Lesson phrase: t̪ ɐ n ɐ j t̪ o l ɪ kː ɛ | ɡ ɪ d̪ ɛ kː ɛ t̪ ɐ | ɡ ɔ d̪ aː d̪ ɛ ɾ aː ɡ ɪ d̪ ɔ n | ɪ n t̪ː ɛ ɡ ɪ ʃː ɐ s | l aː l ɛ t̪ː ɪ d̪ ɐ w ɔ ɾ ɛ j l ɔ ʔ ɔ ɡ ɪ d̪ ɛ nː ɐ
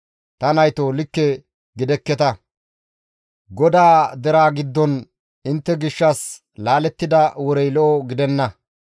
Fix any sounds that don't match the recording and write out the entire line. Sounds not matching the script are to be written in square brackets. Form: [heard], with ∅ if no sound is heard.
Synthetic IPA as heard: t̪ ɐ n ɐ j t̪ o l ɪ kː ɛ | ɡ ɪ d̪ ɛ kː ɛ t̪ ɐ | ɡ ɔ d̪ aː d̪ ɛ ɾ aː ɡ ɪ [d̪ː] ɔ n | ɪ n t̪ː ɛ ɡ ɪ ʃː ɐ s | l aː l ɛ t̪ː ɪ d̪ ɐ w ɔ ɾ ɛ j l ɔ ʔ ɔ ɡ ɪ d̪ ɛ nː ɐ